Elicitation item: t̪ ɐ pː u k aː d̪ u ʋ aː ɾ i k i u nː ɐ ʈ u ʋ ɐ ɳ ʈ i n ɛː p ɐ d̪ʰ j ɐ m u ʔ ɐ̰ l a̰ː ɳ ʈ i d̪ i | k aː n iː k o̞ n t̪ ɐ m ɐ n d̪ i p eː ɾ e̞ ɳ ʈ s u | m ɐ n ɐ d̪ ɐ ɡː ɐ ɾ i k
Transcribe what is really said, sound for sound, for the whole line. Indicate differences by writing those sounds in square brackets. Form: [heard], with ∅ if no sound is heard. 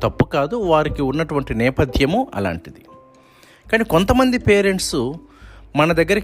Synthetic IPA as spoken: t̪ ɐ pː u k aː d̪ u ʋ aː ɾ i k i u nː ɐ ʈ u ʋ ɐ ɳ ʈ i n ɛː p ɐ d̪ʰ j ɐ m u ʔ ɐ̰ l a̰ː ɳ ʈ i d̪ i | k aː n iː k o̞ n t̪ ɐ m ɐ n d̪ i p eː ɾ e̞ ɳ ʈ s u | m ɐ n ɐ d̪ ɐ ɡː ɐ ɾ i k